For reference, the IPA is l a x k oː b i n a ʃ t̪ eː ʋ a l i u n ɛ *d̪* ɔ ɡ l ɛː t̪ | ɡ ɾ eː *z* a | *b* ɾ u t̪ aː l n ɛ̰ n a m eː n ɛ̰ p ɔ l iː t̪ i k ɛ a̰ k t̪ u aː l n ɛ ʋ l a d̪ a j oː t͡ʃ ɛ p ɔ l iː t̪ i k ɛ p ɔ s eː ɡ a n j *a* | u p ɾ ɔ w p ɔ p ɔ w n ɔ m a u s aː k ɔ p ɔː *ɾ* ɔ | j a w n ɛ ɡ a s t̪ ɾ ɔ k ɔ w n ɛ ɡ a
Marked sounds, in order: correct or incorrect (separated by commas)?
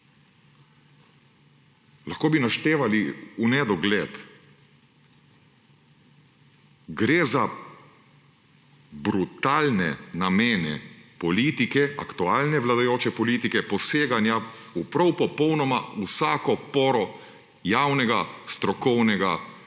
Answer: correct, correct, correct, correct, correct